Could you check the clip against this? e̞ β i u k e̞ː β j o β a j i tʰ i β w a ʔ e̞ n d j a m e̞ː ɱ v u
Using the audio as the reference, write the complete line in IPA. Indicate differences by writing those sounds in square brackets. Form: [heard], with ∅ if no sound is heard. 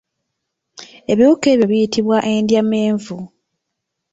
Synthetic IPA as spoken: e̞ β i u k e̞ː β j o β [i] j i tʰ i β w a ʔ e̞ n d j a m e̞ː ɱ v u